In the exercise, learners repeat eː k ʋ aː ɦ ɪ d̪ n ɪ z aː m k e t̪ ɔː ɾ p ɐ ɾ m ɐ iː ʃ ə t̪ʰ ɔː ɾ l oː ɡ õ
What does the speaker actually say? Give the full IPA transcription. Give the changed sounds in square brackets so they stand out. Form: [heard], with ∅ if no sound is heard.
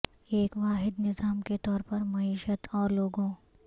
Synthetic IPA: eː k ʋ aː ɦ ɪ d̪ n ɪ z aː m k e t̪ ɔː ɾ p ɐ ɾ m ɐ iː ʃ ə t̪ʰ ɔː ɾ l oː ɡ õ